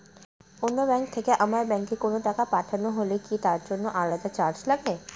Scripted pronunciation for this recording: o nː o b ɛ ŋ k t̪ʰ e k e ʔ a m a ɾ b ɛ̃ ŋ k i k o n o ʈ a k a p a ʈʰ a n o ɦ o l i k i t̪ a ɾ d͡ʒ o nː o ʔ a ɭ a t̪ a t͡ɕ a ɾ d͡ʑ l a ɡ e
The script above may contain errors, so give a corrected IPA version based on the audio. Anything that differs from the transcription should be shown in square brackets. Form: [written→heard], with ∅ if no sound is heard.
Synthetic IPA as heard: o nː o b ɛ ŋ k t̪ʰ e k e ʔ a m a ɾ b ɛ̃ ŋ k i k o n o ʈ a k a p a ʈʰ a n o ɦ o l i k i t̪ a ɾ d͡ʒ o nː o ʔ a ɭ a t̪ a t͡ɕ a ɾ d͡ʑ l a ɡ e